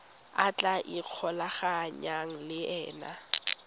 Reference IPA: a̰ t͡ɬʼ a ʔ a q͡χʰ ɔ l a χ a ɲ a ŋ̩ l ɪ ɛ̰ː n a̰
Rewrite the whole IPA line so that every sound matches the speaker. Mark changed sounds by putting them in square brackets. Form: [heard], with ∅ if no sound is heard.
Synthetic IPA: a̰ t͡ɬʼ a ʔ [i] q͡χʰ ɔ l a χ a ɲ a ŋ̩ l ɪ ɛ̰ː n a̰